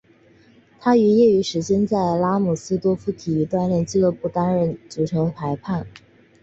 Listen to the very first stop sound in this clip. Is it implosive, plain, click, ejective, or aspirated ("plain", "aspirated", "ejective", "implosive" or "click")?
aspirated